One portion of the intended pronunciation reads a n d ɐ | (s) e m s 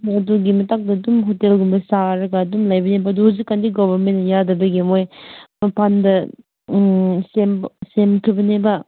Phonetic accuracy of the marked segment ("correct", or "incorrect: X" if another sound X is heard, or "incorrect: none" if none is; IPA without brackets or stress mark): correct